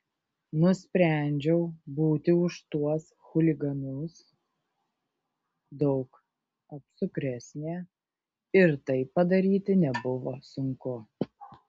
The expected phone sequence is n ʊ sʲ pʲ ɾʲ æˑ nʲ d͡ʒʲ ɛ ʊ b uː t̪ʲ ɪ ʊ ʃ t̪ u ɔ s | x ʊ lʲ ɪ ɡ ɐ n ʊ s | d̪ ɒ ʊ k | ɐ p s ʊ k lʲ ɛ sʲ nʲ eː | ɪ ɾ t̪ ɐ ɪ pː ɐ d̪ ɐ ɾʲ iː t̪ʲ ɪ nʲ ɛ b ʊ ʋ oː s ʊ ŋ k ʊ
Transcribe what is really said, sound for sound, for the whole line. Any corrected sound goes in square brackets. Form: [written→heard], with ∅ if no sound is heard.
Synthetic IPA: n ʊ sʲ pʲ ɾʲ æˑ nʲ d͡ʒʲ ɛ ʊ b uː t̪ʲ ɪ ʊ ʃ t̪ u ɔ s | x ʊ lʲ ɪ ɡ ɐ n ʊ s | d̪ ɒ ʊ k | ɐ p s ʊ k [lʲ→ɾʲ] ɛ sʲ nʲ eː | ɪ ɾ t̪ ɐ ɪ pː ɐ d̪ ɐ ɾʲ iː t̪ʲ ɪ nʲ ɛ b ʊ ʋ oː s ʊ ŋ k ʊ